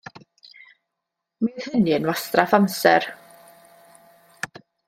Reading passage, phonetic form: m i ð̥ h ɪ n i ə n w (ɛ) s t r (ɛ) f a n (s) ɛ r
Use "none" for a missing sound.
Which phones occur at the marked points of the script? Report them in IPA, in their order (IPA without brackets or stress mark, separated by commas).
a, a, s